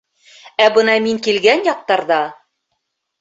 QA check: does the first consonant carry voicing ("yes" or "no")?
yes